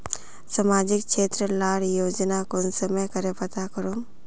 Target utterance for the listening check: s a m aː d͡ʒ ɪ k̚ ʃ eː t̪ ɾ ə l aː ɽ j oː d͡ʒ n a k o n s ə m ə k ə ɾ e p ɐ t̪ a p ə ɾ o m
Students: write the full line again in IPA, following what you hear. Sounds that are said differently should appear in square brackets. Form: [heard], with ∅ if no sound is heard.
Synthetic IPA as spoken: s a m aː d͡ʒ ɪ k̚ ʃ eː t̪ ɾ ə l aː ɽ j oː d͡ʒ n a k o n s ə m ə k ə ɾ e p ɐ t̪ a [k] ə ɾ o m